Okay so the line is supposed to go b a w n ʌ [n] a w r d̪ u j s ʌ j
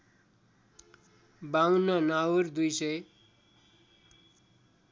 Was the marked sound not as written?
no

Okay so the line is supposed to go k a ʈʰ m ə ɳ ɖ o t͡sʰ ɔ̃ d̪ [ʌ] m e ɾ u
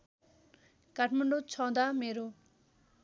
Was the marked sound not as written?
yes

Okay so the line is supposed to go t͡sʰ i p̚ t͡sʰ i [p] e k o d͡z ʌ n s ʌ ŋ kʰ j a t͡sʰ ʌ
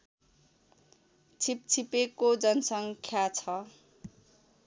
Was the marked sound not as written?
no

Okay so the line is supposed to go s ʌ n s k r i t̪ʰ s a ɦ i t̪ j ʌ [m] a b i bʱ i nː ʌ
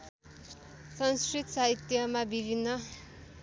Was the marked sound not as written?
no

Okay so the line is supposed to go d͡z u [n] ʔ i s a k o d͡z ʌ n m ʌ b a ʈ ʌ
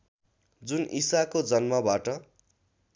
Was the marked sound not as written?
no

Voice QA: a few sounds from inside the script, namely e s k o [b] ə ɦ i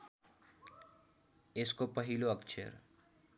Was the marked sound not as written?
yes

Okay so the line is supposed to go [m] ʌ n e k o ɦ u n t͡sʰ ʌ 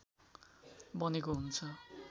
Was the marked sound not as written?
yes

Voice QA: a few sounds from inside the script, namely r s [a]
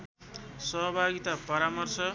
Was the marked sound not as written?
yes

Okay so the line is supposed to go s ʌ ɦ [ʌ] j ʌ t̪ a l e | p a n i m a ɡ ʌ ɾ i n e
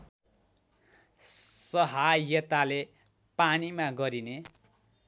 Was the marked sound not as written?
yes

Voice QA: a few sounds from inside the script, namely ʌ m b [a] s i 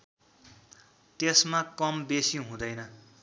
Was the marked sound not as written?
yes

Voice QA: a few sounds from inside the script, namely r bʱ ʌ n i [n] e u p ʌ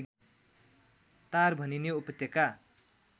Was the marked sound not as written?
no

